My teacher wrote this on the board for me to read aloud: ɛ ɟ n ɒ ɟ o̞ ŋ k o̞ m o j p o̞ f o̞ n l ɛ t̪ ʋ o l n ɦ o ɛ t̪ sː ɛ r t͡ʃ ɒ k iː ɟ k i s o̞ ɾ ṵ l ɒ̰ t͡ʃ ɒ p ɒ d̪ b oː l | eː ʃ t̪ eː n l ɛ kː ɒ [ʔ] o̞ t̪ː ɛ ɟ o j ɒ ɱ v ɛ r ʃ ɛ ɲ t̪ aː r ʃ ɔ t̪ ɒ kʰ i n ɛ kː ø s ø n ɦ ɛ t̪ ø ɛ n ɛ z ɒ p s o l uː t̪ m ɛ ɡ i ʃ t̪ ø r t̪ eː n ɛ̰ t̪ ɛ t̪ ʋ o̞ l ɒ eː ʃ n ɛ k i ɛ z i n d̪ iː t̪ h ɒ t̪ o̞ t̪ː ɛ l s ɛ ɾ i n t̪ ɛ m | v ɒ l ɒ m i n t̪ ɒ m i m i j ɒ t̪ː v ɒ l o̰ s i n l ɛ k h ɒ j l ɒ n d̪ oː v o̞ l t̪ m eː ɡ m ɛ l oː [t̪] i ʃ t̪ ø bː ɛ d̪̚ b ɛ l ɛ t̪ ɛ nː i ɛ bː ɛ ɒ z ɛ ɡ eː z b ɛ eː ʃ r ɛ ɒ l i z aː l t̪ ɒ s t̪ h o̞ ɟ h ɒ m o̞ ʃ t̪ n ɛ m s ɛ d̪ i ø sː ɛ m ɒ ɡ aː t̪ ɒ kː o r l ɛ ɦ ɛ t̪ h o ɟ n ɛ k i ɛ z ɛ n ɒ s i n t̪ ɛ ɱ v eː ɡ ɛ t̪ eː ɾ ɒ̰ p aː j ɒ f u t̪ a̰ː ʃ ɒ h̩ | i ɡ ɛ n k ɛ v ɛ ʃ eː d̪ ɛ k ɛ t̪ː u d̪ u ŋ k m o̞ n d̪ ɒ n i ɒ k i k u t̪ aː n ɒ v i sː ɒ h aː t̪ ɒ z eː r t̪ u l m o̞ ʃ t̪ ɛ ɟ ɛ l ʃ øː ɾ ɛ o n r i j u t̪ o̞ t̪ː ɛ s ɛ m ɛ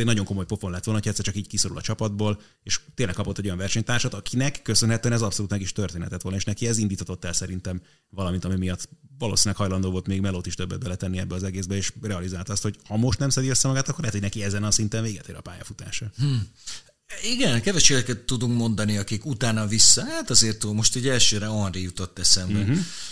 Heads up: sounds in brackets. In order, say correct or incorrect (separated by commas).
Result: incorrect, correct